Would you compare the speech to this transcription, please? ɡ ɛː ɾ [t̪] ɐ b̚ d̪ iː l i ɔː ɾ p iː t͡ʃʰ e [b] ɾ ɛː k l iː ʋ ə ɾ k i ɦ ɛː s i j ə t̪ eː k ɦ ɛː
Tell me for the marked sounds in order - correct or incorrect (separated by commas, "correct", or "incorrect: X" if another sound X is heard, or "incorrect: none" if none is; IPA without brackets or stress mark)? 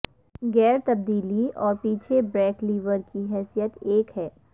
correct, correct